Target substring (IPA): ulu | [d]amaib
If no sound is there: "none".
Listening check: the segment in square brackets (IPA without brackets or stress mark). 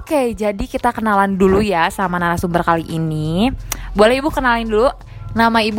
n